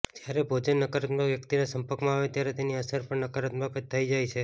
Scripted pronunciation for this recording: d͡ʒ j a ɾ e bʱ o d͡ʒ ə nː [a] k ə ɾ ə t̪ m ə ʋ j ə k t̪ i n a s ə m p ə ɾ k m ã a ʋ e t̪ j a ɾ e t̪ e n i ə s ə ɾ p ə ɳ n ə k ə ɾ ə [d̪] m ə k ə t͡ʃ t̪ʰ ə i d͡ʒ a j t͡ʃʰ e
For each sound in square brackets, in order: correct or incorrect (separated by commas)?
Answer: incorrect, incorrect